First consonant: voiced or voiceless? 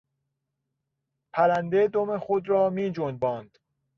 voiceless